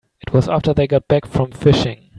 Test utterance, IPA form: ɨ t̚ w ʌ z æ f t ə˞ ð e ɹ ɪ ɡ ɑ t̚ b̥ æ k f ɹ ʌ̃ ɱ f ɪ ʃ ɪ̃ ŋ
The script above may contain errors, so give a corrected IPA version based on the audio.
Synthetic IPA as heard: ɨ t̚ w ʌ z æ f t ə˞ ð e ɪ ɡ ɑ t̚ b̥ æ k f ɹ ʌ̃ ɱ f ɪ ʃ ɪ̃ ŋ